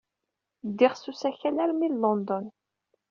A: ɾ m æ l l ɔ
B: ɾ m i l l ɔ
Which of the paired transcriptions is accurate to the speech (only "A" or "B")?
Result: B